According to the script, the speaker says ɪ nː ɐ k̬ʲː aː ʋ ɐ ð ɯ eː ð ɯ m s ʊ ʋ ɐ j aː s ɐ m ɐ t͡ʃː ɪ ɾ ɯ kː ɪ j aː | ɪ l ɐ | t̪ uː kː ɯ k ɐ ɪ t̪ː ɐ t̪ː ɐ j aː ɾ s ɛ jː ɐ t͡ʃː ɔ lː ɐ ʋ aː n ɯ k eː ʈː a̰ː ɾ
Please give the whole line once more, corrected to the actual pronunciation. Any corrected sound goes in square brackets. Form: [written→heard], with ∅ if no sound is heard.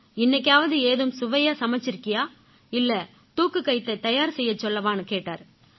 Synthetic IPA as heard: ɪ nː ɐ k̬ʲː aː ʋ ɐ ð ɯ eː ð ɯ m s ʊ ʋ ɐ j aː s ɐ m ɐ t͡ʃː ɪ ɾ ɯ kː ɪ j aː | ɪ [l→lː] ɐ | t̪ uː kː ɯ k ɐ ɪ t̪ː ɐ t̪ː ɐ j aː ɾ s ɛ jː ɐ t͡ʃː ɔ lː ɐ ʋ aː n ɯ k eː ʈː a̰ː ɾ